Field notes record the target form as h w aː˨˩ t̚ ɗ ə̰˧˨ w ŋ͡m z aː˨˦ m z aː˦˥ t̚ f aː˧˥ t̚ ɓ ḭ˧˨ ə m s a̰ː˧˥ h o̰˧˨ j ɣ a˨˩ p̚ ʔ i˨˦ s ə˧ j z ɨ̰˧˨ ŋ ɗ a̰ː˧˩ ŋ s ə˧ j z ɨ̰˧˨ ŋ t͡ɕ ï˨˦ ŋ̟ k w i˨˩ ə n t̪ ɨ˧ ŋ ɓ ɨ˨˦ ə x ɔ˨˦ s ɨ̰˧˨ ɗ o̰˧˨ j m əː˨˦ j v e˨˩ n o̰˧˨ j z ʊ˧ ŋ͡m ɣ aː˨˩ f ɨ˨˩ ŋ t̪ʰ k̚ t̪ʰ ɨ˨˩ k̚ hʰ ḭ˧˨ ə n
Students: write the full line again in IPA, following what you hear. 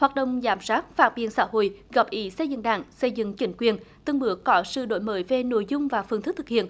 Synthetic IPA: h w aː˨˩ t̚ ɗ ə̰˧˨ w ŋ͡m z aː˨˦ m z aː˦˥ t̚ f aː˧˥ t̚ ɓ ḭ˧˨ ə n s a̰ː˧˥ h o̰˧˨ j ɣ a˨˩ p̚ ʔ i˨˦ s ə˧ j z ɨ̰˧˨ ŋ ɗ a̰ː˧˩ ŋ s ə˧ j z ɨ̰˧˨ ŋ t͡ɕ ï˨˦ ŋ̟ k w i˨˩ ə n t̪ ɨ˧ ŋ ɓ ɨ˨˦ ə k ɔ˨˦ s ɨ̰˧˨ ɗ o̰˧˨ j m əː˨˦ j v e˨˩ n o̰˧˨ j z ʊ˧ ŋ͡m v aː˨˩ f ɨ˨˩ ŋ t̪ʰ k̚ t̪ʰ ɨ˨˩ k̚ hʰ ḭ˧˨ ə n

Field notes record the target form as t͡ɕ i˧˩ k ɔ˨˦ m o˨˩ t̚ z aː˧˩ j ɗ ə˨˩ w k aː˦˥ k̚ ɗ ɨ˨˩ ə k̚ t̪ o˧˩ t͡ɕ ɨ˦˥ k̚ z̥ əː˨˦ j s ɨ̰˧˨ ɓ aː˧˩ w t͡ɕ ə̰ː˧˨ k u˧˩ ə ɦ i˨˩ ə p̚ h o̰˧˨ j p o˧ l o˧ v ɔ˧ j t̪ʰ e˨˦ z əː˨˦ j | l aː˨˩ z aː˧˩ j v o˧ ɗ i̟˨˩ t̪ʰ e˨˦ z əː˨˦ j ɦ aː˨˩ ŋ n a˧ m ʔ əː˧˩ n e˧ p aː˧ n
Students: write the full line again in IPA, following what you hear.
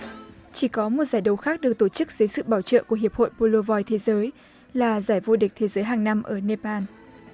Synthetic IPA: t͡ɕ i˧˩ k ɔ˨˦ m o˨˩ t̚ z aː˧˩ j ɗ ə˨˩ w x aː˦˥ k̚ ɗ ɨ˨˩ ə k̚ t̪ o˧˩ t͡ɕ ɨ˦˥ k̚ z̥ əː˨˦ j s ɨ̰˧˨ ɓ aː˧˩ w t͡ɕ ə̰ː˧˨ k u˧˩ ə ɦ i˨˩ ə p̚ h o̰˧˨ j p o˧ l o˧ v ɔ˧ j t̪ʰ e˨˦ z əː˨˦ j | l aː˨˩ z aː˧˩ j v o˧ ɗ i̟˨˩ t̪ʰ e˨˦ z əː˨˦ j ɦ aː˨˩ ŋ n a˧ m ʔ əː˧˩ n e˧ p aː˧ n

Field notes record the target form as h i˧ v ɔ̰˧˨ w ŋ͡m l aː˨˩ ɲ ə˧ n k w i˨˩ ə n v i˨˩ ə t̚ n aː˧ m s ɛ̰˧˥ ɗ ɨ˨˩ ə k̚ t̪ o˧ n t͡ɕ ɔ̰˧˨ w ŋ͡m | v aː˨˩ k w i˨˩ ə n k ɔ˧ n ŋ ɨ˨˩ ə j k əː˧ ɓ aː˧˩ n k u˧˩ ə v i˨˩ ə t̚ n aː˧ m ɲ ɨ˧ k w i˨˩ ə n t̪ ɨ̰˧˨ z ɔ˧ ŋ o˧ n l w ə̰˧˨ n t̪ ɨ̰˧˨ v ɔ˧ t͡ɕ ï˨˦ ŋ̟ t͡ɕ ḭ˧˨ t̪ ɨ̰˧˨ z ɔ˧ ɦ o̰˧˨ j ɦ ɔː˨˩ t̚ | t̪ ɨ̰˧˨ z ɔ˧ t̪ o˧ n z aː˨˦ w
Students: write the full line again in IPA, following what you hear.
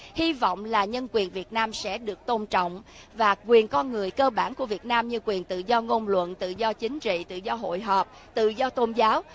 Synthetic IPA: h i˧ v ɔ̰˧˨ w ŋ͡m l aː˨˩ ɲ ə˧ n k w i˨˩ ə n v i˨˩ ə t̚ n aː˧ m s ɛ̰˧˥ ɗ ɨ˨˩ ə k̚ t̪ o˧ n t͡ɕ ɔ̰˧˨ w ŋ͡m | v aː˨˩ k w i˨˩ ə n k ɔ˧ n ŋ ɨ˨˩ ə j k əː˧ ɓ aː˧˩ n k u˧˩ ə v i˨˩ ə t̚ n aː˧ m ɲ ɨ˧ k w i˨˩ ə n t̪ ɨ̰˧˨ z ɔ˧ ŋ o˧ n l w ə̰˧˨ n t̪ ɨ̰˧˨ z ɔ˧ t͡ɕ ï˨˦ ŋ̟ t͡ɕ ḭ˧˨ t̪ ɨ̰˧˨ z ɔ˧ ɦ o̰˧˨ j ɦ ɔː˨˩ p̚ | t̪ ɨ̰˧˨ z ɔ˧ t̪ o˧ n z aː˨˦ w

